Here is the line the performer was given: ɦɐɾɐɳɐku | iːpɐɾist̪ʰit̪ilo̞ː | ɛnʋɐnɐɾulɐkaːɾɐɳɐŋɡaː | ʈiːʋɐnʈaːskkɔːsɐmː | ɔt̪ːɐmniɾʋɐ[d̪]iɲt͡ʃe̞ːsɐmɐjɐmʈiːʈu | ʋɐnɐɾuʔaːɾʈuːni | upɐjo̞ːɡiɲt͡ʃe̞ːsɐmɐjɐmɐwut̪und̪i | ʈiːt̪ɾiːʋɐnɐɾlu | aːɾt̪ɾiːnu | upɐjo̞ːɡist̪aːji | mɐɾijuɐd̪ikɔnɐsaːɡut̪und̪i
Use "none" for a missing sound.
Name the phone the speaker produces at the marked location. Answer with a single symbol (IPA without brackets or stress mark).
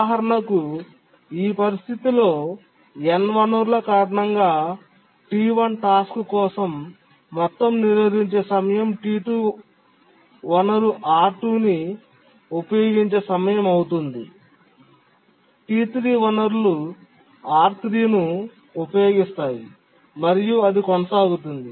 d̪